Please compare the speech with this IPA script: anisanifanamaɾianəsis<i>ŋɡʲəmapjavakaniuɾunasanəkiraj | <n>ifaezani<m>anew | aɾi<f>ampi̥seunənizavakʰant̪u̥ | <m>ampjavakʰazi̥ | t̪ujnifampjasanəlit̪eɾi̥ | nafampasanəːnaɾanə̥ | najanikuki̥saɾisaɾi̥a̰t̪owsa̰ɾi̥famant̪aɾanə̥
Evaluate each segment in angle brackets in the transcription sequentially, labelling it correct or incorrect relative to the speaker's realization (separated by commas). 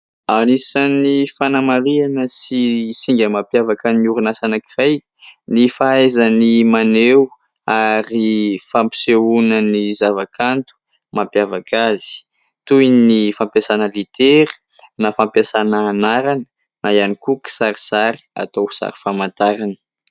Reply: correct, correct, correct, correct, correct